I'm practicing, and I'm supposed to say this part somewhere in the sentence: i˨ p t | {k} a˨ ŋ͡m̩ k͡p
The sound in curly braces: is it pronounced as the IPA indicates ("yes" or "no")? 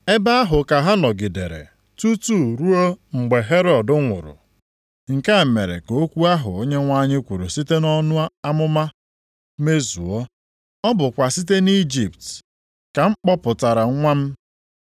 yes